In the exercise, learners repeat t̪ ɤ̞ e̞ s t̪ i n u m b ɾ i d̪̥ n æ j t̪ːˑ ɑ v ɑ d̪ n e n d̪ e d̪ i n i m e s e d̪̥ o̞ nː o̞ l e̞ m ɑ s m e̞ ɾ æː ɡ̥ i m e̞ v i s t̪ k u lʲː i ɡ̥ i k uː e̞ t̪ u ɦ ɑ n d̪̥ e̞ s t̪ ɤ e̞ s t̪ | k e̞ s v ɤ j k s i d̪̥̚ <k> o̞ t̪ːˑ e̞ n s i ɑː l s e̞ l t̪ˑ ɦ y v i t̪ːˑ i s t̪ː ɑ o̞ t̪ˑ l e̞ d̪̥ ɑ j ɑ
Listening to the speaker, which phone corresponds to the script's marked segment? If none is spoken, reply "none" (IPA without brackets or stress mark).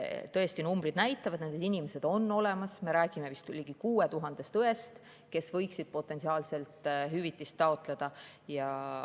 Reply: p